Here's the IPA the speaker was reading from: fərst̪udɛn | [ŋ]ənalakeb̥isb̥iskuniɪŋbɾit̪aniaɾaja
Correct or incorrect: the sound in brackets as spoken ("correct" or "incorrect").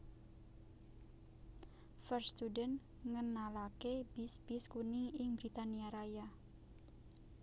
correct